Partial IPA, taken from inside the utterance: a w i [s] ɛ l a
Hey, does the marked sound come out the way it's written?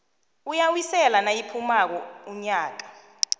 yes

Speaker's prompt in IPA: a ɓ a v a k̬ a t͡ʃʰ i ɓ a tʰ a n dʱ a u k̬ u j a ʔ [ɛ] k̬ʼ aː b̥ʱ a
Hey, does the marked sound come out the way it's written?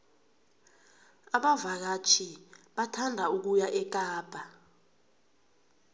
yes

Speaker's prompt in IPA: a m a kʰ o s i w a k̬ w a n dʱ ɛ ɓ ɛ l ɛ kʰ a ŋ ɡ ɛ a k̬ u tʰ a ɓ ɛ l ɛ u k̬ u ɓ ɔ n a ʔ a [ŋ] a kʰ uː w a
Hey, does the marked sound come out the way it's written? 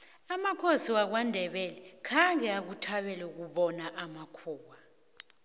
no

